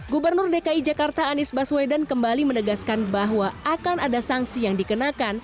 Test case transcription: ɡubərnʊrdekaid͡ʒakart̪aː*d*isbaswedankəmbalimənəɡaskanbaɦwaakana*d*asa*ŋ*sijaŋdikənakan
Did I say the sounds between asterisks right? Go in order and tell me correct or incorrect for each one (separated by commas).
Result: incorrect, correct, correct